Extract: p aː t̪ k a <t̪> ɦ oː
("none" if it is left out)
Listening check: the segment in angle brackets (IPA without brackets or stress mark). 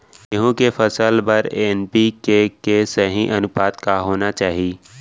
none